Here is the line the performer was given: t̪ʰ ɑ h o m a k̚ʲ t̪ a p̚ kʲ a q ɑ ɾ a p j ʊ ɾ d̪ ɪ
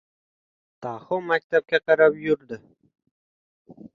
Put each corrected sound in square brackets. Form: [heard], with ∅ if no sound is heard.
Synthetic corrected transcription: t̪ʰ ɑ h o m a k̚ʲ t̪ a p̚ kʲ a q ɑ ɾ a p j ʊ ɾ d̪ ɪ